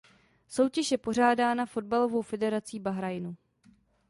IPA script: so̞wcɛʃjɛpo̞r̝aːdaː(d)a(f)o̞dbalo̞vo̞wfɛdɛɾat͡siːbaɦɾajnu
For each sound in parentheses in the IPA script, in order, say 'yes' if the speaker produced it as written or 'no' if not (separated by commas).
no, yes